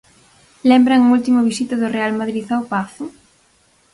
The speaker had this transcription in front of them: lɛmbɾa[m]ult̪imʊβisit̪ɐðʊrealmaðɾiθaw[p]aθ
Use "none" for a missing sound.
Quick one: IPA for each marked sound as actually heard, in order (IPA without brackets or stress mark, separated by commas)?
ŋ, p